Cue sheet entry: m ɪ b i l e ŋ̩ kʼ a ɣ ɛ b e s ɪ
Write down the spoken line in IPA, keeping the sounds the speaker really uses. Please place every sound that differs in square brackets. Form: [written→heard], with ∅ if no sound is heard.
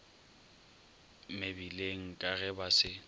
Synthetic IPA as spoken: m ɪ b i l e ŋ̩ kʼ a ɣ ɛ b [e→a] s ɪ